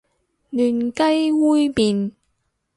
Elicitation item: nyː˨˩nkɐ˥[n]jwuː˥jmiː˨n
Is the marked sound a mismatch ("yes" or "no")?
yes